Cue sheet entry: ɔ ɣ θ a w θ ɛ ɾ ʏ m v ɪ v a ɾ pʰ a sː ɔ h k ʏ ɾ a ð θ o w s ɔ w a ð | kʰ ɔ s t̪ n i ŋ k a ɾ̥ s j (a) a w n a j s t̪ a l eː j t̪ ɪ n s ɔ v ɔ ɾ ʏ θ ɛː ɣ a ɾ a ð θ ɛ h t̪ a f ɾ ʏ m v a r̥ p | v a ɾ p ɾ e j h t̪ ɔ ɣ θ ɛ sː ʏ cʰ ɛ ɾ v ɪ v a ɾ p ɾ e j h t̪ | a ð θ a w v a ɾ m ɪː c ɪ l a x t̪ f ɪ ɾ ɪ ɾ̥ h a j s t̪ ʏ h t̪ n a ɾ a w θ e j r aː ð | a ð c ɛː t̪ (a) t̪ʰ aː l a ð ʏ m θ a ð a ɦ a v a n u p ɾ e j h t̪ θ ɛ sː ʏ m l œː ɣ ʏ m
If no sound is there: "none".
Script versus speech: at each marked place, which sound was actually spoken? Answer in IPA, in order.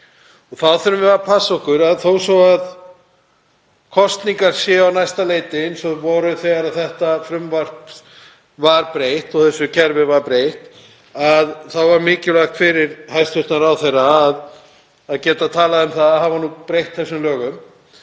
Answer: ɛ, a

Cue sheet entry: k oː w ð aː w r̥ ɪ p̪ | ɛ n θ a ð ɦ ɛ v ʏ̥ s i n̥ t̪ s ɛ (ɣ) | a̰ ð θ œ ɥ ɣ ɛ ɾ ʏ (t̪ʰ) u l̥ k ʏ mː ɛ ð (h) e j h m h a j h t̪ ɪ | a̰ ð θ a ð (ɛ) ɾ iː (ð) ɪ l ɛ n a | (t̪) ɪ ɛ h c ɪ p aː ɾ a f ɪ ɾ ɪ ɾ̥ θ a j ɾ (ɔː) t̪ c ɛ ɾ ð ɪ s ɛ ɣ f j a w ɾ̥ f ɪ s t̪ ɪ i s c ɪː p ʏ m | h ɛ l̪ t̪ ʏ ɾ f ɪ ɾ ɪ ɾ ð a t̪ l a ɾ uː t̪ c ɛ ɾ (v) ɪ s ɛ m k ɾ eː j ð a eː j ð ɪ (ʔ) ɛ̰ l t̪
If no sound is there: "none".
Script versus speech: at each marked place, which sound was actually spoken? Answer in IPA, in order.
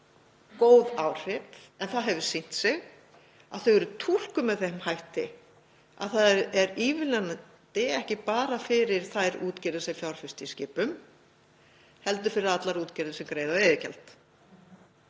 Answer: ɣ, t̪ʰ, θ, ɛ, v, t̪, uː, ð, c

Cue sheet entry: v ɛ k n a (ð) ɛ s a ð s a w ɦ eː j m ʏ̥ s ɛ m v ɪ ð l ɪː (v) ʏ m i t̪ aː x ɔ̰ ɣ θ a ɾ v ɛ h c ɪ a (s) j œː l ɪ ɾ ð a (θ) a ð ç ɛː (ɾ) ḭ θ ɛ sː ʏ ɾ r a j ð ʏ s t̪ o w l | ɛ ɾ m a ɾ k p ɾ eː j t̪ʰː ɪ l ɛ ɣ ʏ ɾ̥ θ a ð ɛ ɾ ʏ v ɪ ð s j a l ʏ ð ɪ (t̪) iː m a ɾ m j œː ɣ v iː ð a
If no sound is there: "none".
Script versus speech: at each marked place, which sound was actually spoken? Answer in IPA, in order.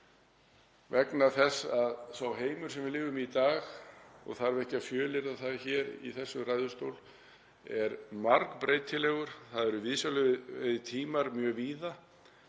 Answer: θ, ɣ, f, θ, ɾ, t̪ʰ

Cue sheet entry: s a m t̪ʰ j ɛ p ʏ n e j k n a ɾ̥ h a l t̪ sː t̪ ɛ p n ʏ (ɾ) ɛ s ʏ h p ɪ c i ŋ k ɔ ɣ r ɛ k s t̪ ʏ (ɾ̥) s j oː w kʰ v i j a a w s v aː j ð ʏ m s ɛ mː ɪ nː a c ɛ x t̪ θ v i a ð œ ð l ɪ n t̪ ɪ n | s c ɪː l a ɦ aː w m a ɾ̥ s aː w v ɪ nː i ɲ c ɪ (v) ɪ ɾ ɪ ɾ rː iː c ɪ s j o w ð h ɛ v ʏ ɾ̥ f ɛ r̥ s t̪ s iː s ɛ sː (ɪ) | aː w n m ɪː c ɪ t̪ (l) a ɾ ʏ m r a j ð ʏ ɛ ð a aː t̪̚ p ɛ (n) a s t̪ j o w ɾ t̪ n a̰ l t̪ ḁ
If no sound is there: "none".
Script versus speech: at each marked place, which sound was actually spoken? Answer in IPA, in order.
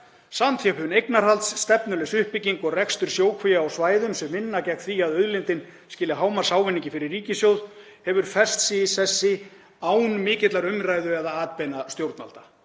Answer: l, ɾ̥, f, ɪ, l, n

